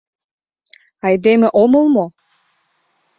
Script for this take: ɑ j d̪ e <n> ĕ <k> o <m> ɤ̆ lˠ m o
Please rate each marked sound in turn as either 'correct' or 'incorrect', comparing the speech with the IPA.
incorrect, incorrect, correct

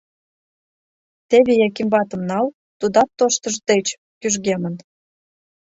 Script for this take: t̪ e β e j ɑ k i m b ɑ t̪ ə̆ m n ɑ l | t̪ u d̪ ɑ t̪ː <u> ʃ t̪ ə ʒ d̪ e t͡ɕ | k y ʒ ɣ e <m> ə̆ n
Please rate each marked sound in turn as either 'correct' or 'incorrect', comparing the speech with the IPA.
incorrect, correct

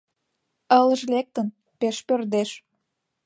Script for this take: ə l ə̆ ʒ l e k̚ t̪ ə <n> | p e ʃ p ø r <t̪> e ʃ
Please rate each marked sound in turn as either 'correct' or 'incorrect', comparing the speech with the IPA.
correct, incorrect

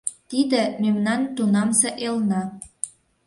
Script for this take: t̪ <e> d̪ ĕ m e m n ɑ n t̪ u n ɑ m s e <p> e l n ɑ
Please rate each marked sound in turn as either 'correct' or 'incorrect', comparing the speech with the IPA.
incorrect, incorrect

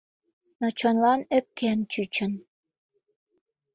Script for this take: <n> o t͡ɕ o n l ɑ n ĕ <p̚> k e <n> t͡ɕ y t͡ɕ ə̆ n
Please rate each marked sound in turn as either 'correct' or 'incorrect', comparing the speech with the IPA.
correct, correct, correct

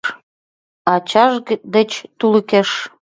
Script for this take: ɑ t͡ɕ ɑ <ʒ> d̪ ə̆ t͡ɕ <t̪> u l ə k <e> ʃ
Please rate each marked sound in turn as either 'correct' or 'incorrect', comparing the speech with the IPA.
correct, correct, correct

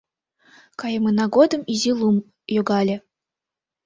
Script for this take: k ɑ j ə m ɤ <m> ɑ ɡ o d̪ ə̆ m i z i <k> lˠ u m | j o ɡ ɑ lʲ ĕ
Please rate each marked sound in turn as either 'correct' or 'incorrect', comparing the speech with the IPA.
incorrect, incorrect

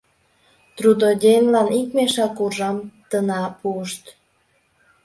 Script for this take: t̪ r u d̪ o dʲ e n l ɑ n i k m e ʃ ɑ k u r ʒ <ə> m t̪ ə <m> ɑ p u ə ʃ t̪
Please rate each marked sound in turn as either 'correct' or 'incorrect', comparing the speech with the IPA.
incorrect, incorrect

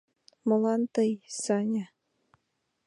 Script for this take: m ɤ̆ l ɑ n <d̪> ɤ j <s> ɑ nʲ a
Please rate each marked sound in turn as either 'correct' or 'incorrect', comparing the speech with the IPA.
incorrect, correct

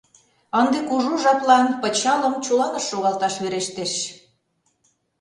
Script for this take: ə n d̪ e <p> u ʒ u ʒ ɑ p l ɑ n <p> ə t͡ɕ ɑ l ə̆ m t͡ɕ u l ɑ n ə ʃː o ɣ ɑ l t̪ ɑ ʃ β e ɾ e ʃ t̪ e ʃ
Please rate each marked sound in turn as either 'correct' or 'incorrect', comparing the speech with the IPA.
incorrect, correct

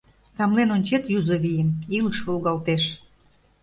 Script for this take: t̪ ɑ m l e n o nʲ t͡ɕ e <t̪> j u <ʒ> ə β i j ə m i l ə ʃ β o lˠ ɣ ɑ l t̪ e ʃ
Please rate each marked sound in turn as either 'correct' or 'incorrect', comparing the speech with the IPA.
correct, incorrect

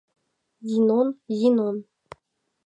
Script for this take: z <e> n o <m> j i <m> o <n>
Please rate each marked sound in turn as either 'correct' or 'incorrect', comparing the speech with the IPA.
incorrect, incorrect, incorrect, correct

